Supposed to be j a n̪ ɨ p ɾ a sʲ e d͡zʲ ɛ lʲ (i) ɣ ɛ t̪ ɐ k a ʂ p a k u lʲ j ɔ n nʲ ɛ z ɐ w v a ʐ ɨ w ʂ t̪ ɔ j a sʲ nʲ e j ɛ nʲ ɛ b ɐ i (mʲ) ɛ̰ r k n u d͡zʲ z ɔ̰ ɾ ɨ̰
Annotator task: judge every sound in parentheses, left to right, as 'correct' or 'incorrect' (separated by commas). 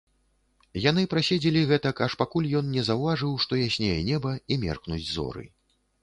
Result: correct, correct